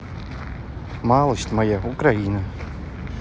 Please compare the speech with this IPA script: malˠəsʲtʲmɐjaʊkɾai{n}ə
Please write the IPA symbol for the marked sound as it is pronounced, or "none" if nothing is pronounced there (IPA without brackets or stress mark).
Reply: n